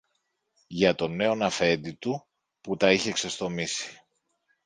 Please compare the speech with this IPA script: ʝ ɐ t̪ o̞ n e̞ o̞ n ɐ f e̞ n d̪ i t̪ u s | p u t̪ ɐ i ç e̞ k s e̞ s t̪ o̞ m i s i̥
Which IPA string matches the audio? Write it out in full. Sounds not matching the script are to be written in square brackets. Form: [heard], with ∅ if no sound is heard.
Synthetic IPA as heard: ʝ ɐ t̪ o̞ n e̞ o̞ n ɐ f e̞ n d̪ i t̪ u [∅] | p u t̪ ɐ i ç e̞ k s e̞ s t̪ o̞ m i s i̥